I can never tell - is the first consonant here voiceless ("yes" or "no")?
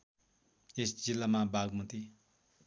yes